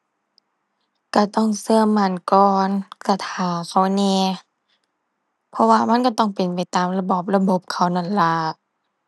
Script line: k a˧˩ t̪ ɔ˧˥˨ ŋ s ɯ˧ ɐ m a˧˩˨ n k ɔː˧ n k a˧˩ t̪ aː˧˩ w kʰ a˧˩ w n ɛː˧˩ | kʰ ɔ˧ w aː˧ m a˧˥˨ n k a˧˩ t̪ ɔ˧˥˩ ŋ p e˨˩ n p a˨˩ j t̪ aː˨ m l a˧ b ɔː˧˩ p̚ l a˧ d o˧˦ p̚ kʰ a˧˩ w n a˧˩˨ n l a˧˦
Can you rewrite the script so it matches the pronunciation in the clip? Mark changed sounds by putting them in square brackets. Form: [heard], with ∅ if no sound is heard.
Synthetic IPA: k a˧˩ t̪ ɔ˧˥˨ ŋ s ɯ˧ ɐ m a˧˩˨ n k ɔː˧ n k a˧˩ [t̪ʰ] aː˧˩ w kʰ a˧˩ w n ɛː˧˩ | [pʰ] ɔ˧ w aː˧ m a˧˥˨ n k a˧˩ t̪ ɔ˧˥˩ ŋ p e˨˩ n p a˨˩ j t̪ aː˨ m l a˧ b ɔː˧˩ p̚ l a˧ [b] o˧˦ p̚ kʰ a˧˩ w n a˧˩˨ n l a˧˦